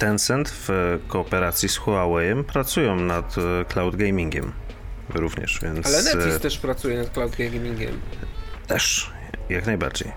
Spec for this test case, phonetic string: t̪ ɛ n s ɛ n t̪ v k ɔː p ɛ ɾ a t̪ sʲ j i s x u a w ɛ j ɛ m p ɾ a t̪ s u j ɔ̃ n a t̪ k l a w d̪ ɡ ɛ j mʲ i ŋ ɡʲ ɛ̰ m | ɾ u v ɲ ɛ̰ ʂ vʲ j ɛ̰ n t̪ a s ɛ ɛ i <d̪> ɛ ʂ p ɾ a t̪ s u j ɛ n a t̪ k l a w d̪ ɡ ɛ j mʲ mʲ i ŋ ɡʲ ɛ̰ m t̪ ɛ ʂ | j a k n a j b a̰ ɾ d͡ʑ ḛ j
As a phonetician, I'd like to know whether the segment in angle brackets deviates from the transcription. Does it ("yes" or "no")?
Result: yes